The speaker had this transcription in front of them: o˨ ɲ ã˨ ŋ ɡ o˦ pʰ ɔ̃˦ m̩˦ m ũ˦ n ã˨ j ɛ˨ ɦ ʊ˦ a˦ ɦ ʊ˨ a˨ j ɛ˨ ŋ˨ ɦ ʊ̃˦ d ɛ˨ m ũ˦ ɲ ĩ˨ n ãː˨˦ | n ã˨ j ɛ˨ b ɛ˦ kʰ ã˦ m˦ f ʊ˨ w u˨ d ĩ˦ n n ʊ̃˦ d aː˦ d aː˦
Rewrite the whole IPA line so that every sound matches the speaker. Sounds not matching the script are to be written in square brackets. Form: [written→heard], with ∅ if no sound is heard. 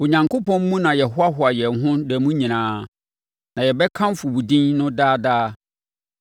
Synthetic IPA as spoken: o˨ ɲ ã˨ ŋ [ɡ→k] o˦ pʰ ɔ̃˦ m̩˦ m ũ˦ n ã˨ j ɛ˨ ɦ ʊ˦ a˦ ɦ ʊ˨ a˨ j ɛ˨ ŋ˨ ɦ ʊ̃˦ d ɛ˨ m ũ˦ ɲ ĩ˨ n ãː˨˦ | n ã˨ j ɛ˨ b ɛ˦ kʰ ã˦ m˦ f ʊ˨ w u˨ d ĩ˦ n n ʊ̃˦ d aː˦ d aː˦